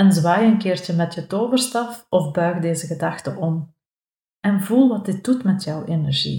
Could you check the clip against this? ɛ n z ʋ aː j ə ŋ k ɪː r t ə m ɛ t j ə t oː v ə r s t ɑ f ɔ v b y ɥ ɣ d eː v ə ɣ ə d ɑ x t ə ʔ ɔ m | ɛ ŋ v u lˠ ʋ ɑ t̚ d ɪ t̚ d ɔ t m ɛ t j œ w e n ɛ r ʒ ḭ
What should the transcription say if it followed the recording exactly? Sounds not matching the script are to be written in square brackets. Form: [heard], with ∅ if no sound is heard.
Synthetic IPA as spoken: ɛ n z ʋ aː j ə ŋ k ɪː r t ə m ɛ t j ə t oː v ə r s t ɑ f ɔ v b [œ] ɥ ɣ d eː [z] ə ɣ ə d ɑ x t ə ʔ ɔ m | ɛ [n] v u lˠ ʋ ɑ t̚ d ɪ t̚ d [u] t m ɛ t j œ w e n ɛ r ʒ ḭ